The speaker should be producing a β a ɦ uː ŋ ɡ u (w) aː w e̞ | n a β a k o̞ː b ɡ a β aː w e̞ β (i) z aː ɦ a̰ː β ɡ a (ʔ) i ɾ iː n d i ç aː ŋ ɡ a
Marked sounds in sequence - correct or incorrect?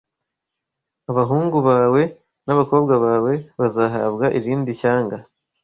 incorrect, incorrect, correct

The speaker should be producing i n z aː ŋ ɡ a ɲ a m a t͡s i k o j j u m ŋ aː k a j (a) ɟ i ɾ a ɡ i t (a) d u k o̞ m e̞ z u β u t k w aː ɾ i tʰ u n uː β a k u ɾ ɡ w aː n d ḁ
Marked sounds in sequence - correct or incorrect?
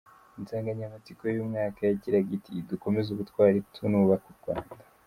correct, incorrect

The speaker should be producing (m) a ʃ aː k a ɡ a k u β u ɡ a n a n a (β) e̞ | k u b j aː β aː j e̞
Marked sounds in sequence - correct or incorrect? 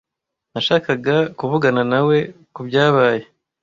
incorrect, incorrect

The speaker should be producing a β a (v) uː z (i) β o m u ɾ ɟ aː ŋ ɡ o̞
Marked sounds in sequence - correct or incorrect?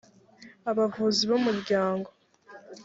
correct, correct

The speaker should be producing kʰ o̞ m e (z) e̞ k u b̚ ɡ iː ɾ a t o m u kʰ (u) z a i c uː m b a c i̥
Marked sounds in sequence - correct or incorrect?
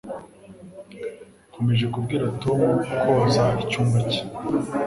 incorrect, incorrect

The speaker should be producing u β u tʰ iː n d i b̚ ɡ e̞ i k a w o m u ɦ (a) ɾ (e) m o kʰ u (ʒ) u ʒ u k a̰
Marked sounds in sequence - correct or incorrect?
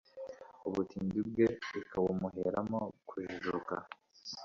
incorrect, incorrect, correct

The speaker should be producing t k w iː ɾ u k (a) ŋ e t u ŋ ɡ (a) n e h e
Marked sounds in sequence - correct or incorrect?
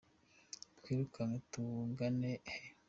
correct, correct

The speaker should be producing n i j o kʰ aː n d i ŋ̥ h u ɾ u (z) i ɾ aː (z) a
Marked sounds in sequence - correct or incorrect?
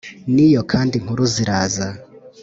correct, correct

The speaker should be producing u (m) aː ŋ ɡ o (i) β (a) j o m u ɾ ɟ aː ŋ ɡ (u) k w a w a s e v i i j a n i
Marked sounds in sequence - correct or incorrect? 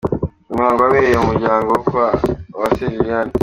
correct, incorrect, incorrect, incorrect

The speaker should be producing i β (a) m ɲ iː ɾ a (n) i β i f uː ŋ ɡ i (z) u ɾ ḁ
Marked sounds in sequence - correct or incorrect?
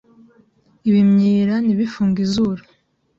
incorrect, correct, correct

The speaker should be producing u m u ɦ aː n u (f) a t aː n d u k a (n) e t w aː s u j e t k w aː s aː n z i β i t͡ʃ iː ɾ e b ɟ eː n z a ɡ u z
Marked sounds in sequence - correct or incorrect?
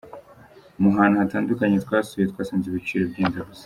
incorrect, incorrect

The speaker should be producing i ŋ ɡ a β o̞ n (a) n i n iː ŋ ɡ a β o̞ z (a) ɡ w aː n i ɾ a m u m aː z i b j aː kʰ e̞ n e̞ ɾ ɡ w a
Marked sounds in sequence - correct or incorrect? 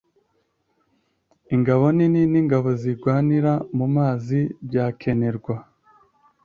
incorrect, incorrect

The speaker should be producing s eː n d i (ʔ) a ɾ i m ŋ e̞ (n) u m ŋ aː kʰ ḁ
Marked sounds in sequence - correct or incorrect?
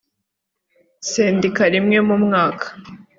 incorrect, incorrect

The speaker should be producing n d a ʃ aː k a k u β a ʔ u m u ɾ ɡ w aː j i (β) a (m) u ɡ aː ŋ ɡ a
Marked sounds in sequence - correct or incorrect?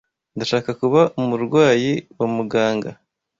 incorrect, correct

